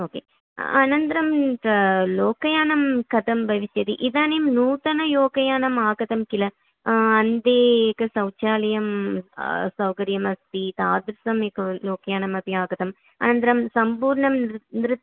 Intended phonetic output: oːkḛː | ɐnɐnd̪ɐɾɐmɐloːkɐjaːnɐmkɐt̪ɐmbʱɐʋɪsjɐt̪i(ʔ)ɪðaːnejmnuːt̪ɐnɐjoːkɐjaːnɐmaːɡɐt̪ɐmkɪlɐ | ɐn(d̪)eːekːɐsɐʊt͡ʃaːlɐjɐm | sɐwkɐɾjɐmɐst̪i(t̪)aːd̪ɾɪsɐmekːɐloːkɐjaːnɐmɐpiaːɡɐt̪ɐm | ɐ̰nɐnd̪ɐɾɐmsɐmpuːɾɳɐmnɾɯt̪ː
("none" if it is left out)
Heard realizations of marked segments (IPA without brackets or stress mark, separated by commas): ʔ, d̪, t̪